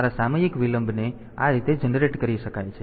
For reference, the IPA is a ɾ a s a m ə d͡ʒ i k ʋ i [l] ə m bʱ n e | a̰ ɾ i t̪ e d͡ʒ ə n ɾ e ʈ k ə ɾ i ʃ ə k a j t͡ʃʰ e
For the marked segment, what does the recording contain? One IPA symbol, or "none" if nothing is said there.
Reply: l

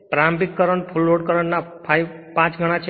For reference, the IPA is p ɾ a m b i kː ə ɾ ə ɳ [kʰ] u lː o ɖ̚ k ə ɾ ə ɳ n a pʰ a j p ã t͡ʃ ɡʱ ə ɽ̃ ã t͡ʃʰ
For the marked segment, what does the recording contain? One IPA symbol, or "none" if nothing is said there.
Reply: pʰ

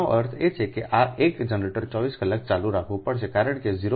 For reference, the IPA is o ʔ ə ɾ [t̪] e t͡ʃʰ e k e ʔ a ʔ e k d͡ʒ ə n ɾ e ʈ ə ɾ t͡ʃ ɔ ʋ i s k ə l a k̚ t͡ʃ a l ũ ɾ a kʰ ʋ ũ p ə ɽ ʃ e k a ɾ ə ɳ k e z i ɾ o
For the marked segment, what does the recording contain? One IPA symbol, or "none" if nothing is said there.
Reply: t̪ʰ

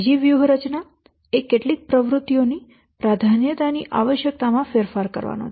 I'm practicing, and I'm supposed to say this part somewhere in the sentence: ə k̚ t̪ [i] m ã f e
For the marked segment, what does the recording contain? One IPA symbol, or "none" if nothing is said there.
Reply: a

